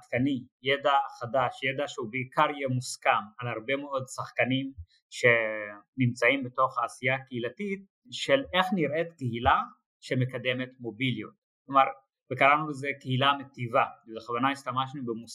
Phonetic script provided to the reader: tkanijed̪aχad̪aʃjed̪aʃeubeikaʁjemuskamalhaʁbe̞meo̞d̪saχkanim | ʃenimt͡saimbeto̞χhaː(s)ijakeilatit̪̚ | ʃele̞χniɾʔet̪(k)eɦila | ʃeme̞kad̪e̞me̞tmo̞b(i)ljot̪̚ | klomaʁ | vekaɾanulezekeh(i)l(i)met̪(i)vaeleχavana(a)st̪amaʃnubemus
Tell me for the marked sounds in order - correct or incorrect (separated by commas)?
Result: correct, correct, correct, correct, incorrect, correct, incorrect